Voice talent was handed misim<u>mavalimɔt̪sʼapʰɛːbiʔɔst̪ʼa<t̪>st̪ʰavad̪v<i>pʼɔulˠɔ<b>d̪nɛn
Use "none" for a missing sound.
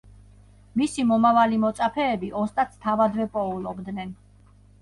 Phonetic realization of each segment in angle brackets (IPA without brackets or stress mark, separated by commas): ɔ, t̪, ɛ, b